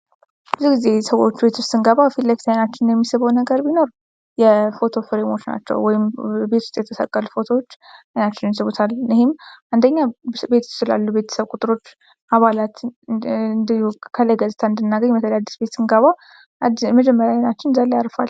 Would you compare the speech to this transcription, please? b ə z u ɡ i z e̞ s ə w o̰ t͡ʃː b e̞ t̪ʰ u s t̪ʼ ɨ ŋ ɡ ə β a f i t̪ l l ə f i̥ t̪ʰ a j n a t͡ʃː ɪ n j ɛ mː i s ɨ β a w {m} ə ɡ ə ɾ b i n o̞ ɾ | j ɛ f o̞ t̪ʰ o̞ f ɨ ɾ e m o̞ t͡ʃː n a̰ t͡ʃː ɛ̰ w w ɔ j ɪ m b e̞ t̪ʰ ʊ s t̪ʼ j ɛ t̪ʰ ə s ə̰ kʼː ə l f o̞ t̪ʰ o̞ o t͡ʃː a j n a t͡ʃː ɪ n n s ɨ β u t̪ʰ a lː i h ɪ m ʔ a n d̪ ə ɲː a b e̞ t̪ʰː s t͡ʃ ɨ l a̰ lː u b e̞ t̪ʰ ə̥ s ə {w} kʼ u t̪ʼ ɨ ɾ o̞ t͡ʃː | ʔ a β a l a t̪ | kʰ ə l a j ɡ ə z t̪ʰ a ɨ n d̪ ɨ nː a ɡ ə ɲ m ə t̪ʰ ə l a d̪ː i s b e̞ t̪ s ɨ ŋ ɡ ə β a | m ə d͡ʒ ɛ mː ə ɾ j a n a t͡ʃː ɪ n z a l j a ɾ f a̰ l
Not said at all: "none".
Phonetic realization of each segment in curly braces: n, β

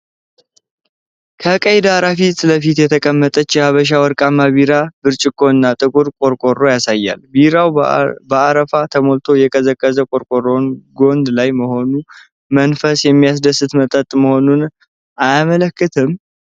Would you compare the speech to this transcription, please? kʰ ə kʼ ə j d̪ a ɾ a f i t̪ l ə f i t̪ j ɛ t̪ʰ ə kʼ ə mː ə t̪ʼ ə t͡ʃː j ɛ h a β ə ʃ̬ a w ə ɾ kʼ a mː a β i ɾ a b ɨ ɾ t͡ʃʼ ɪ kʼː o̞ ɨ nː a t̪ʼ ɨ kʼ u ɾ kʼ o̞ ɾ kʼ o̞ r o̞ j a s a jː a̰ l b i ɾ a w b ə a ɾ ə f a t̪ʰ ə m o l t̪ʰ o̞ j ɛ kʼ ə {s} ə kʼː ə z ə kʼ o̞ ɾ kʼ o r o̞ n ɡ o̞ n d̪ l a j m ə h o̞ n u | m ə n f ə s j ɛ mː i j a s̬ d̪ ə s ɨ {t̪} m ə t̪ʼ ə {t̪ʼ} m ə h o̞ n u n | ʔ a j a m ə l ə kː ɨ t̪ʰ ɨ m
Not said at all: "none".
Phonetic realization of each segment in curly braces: z, t̪, t̪ʼ

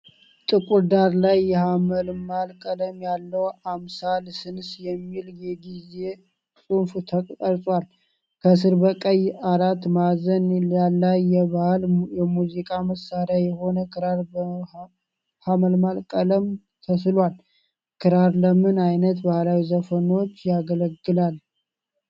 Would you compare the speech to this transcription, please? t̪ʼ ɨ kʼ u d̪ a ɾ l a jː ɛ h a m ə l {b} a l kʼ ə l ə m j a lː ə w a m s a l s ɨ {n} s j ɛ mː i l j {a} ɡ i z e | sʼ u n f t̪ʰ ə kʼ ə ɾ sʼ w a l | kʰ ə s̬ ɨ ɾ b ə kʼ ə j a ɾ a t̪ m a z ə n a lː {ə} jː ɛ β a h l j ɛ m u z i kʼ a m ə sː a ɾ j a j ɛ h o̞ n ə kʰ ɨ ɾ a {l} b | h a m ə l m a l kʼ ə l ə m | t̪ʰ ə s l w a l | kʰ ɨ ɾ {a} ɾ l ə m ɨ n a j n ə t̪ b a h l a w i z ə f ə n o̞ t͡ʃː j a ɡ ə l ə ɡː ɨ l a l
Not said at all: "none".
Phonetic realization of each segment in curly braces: m, n, ɛ, a, ɾ, a

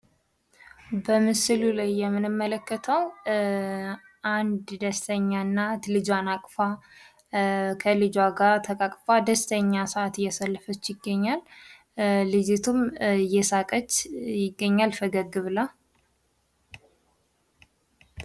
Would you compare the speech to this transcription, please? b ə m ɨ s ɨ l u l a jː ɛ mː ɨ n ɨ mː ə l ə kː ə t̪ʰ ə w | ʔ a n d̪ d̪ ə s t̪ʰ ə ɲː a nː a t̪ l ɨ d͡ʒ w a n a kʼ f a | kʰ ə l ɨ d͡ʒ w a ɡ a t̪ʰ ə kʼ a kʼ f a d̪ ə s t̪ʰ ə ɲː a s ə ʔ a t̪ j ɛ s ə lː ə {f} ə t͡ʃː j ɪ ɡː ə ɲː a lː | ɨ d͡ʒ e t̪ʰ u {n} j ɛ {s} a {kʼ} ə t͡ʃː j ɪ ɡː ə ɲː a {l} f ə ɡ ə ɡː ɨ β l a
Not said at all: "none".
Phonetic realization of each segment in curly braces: f, m, s, kʼ, l

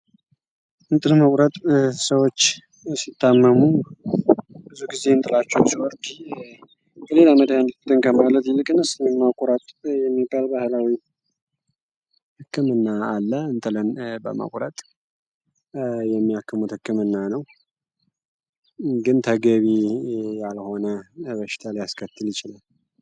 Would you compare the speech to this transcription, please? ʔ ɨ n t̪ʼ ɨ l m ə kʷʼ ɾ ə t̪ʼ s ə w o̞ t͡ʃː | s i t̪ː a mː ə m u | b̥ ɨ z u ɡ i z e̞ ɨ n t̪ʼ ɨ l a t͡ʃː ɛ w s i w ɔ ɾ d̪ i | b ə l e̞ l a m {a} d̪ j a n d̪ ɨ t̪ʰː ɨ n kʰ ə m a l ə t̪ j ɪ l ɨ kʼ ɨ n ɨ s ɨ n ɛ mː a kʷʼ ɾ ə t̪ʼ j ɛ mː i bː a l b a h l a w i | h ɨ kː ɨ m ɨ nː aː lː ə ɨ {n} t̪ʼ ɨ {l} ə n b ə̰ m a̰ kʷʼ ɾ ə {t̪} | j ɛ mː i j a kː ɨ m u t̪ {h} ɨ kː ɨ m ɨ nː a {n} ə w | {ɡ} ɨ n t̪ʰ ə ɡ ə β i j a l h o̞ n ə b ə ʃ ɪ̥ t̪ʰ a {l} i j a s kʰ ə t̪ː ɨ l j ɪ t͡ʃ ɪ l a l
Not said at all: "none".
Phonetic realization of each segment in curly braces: ə, n, l, t̪ʼ, h, n, ɡ, l

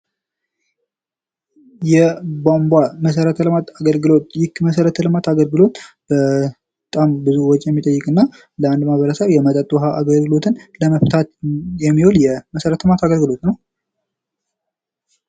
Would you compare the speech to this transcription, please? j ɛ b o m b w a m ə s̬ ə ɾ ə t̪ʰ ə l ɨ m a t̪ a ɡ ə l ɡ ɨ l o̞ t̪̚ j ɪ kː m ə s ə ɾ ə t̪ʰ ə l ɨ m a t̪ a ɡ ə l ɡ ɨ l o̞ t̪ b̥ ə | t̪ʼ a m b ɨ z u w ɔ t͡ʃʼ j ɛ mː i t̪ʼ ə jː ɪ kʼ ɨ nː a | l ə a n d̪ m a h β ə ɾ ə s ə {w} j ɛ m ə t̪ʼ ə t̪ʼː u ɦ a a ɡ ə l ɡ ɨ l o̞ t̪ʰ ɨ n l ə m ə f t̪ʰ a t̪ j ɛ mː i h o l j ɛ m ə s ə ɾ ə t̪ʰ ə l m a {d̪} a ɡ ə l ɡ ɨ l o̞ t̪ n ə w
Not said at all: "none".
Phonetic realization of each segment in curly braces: β, t̪

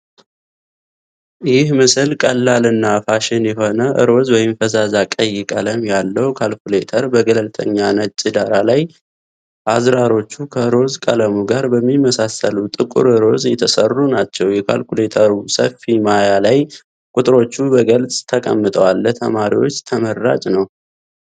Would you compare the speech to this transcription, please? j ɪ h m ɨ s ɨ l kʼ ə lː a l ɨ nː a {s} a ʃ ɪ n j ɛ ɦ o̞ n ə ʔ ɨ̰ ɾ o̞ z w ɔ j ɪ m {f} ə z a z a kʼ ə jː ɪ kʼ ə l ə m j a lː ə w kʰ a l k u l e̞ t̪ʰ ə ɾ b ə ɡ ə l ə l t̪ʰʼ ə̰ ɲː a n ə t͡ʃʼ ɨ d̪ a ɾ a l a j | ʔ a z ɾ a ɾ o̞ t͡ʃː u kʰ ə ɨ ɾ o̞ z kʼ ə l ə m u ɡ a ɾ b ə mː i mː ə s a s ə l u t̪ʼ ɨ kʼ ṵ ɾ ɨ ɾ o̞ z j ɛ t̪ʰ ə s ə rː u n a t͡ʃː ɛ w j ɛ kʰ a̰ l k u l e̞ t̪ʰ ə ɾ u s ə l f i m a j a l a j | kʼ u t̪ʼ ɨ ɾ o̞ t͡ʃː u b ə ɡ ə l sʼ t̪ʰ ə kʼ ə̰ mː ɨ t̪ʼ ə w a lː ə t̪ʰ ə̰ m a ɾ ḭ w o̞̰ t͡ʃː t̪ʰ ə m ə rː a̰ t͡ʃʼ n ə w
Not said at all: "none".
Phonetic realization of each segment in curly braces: f, f

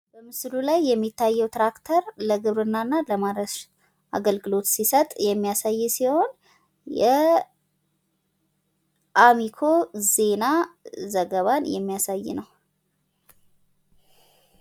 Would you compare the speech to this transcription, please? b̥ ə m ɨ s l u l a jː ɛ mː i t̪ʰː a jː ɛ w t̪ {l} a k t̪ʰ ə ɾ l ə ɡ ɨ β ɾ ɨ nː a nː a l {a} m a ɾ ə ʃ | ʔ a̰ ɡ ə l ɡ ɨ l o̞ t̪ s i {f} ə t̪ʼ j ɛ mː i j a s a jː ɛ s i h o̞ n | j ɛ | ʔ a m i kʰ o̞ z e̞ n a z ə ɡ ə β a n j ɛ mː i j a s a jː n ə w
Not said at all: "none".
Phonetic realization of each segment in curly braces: ɾ, ə, s

